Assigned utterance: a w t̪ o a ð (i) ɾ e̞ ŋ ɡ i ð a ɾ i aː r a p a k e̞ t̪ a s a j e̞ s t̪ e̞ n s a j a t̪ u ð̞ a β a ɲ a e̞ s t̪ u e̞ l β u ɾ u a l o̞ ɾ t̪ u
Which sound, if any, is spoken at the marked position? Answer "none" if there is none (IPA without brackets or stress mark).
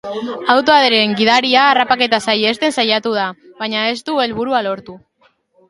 e